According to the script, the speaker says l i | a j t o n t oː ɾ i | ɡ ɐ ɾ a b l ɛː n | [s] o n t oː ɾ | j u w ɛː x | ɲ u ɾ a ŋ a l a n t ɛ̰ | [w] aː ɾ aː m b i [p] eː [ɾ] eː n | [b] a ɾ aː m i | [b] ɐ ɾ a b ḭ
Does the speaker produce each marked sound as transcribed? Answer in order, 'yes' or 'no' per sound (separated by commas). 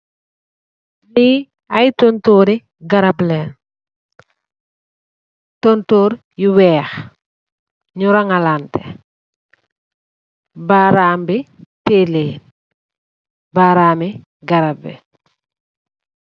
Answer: no, no, no, no, yes, no